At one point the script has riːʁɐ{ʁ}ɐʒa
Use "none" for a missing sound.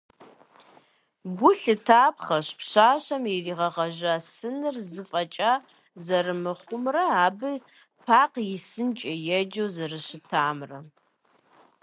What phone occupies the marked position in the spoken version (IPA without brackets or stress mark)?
ʁ